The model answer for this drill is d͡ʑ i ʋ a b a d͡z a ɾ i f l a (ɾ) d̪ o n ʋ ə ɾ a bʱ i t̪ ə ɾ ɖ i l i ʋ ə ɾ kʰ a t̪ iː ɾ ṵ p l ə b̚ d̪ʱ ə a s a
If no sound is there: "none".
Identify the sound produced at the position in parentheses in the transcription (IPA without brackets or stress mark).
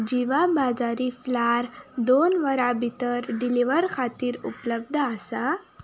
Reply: ɾ